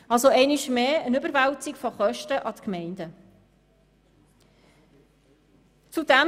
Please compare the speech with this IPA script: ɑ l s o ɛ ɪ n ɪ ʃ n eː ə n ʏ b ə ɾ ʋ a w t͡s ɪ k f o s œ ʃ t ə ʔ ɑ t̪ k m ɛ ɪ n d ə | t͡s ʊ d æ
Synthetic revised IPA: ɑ l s o ɛ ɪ n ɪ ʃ m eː ə n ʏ b ə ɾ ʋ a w t͡s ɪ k f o χ œ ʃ t ə ʔ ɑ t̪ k m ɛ ɪ n d ə | t͡s u d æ